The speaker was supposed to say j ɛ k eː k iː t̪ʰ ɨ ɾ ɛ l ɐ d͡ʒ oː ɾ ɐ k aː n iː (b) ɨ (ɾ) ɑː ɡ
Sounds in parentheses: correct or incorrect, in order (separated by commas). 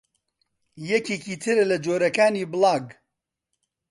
correct, incorrect